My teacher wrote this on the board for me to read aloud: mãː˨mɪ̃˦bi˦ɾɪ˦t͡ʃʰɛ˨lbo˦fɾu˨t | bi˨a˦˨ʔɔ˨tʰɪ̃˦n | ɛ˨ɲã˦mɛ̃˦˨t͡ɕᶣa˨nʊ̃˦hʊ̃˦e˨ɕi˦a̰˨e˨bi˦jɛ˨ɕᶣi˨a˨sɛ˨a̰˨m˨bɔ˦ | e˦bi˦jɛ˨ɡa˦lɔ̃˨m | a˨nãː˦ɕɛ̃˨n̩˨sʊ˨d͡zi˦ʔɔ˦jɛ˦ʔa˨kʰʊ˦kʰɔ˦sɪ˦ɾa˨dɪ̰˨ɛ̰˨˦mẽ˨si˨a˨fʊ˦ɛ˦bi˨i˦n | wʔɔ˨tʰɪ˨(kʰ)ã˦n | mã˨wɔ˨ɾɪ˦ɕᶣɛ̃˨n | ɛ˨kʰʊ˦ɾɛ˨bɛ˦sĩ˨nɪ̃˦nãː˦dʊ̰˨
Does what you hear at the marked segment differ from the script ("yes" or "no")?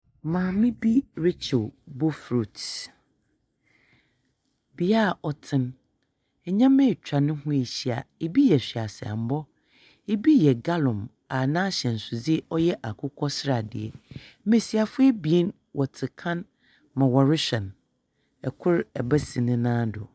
no